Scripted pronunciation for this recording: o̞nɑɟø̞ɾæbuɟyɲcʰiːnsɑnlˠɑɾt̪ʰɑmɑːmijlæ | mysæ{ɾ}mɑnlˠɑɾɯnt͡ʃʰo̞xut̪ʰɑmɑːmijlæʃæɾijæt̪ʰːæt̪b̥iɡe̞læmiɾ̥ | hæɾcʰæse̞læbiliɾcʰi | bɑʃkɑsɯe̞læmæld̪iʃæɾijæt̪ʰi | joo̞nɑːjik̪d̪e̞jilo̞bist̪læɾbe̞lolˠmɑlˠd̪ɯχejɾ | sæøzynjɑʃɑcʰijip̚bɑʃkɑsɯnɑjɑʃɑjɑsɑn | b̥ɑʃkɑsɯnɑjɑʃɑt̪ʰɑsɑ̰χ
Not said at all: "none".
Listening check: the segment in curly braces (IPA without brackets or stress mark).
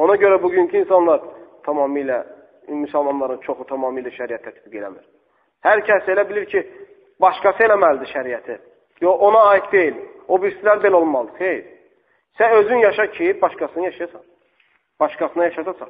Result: l